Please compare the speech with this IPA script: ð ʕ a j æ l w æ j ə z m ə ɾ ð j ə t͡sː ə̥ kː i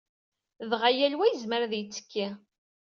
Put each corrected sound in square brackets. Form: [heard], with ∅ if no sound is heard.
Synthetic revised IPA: ð [ʁ] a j æ l w æ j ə z m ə ɾ ð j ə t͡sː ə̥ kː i